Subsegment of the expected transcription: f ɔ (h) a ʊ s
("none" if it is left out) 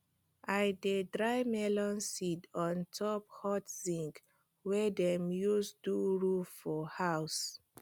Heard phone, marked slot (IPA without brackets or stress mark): h